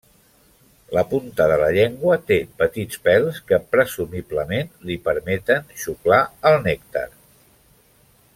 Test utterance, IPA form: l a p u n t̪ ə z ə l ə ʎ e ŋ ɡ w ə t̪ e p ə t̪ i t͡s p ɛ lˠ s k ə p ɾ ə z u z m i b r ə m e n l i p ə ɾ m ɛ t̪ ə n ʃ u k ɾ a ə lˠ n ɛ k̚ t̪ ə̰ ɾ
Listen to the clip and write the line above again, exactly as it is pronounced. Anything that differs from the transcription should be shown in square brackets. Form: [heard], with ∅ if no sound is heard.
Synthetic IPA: l [ə] p u n t̪ ə [ð] ə l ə ʎ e ŋ ɡ w ə t̪ e p ə t̪ i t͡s p ɛ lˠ s k ə p ɾ ə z u [∅] m i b [l] ə m e n l i p ə ɾ m ɛ t̪ ə n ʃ u k [l] a ə lˠ n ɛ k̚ t̪ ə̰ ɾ